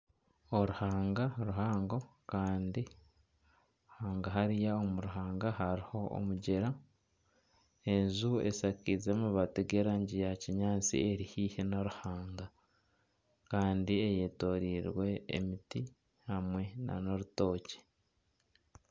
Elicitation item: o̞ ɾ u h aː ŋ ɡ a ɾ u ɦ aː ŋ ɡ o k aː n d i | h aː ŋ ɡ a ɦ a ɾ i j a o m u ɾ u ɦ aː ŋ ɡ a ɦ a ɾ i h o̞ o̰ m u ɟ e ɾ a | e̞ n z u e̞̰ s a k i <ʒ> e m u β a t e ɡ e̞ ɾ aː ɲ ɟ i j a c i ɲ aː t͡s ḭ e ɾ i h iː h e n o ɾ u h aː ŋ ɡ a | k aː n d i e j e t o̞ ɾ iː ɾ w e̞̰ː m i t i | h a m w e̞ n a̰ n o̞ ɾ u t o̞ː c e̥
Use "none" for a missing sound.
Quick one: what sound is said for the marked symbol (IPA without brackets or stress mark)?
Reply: z